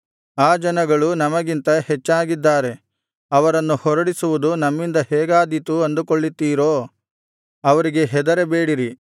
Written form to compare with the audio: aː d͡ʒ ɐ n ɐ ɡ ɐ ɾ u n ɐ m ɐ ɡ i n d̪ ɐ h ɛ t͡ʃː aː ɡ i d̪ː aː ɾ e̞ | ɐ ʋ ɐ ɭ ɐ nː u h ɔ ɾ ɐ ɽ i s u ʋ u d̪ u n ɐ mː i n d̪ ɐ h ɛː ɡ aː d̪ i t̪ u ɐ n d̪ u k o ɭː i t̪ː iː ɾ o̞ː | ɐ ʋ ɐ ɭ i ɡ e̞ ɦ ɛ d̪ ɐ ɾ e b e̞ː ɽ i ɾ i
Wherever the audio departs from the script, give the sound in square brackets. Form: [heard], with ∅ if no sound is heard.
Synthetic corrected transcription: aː d͡ʒ ɐ n ɐ ɡ ɐ [ɭ] u n ɐ m ɐ ɡ i n [t̪] ɐ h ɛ t͡ʃː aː ɡ i d̪ː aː ɾ e̞ | ɐ ʋ ɐ [ɾ] ɐ nː u h ɔ ɾ ɐ ɽ i s u ʋ u d̪ u n ɐ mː i n d̪ ɐ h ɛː ɡ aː d̪ i t̪ u ɐ n d̪ u k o ɭː i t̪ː iː ɾ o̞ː | ɐ ʋ ɐ [ɾ] i ɡ e̞ ɦ ɛ d̪ ɐ ɾ e b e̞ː ɽ i ɾ i

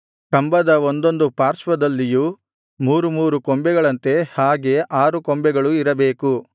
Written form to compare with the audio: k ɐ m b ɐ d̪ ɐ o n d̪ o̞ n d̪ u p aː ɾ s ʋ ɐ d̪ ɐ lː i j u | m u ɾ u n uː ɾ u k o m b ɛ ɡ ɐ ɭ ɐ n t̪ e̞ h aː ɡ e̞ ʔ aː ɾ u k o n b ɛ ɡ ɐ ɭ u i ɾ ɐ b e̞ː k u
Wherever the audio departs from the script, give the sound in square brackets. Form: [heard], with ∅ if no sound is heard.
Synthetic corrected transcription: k ɐ m b ɐ d̪ ɐ o n d̪ o̞ n d̪ u p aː ɾ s ʋ ɐ d̪ ɐ lː i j u | m [uː] ɾ u [m] uː ɾ u k o m b ɛ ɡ ɐ ɭ ɐ n t̪ e̞ h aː ɡ e̞ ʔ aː ɾ u k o [m] b ɛ ɡ ɐ ɭ u i ɾ ɐ b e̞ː k u

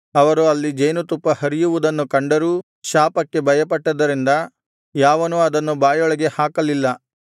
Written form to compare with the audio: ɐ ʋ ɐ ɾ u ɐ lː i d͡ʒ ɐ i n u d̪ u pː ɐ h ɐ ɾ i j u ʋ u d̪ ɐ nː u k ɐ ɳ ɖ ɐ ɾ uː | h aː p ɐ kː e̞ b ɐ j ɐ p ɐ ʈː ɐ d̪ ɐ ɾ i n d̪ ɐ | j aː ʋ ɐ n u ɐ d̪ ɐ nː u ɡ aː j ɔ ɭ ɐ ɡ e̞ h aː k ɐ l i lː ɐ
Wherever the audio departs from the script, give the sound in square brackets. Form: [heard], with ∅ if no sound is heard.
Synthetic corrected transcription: ɐ ʋ ɐ ɾ u ɐ lː i d͡ʒ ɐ [j] n u [t̪] u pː ɐ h ɐ ɾ i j u ʋ u d̪ ɐ nː u k ɐ ɳ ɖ ɐ ɾ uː | [ʃ] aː p ɐ kː e̞ b ɐ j ɐ p ɐ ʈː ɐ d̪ ɐ ɾ i n d̪ ɐ | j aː ʋ ɐ n u ɐ d̪ ɐ nː u [b] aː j ɔ ɭ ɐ ɡ e̞ h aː k ɐ l i lː ɐ

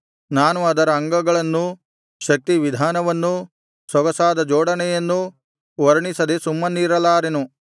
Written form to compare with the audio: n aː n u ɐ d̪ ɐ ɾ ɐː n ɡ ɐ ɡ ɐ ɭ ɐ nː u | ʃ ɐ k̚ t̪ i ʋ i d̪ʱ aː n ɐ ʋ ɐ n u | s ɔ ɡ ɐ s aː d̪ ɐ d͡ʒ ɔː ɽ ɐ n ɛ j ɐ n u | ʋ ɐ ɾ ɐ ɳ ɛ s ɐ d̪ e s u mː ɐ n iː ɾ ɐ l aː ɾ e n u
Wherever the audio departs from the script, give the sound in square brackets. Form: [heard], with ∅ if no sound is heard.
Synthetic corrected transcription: n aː n u ɐ d̪ ɐ ɾ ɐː [ŋ] ɡ ɐ ɡ ɐ ɭ ɐ nː u | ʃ ɐ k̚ t̪ i ʋ i d̪ʱ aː n ɐ ʋ ɐ [nː] u | s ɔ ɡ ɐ s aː d̪ ɐ d͡ʒ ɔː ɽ ɐ n ɛ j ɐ [nː] u | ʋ ɐ ɾ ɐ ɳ [i] s ɐ d̪ e s u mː ɐ n iː ɾ ɐ l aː ɾ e n u

